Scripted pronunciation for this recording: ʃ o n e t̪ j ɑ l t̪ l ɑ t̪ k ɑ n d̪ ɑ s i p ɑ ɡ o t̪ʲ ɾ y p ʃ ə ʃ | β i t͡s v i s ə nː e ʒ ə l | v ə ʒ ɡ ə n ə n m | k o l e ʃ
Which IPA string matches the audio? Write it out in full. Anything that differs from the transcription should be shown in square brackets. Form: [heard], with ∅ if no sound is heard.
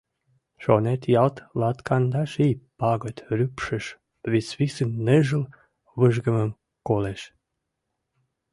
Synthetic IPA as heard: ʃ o n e t̪ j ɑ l t̪ l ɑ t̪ k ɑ n d̪ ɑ [ʃ] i p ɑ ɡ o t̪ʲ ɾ y p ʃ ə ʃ | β i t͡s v i s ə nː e ʒ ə l | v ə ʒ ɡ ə [m] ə [∅] m | k o l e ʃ